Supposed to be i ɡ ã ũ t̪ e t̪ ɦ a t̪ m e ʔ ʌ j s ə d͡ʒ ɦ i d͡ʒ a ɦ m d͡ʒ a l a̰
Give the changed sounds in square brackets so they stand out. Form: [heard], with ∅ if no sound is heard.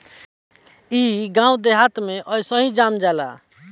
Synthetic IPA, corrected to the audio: i ɡ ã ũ [d̪] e [∅] ɦ a t̪ m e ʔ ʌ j s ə [∅] ɦ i d͡ʒ a [∅] m d͡ʒ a l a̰